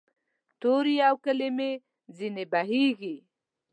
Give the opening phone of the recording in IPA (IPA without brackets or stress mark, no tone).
t̪